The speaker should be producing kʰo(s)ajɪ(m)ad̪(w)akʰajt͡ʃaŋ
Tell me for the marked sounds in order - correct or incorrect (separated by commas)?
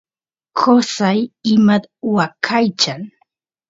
correct, correct, correct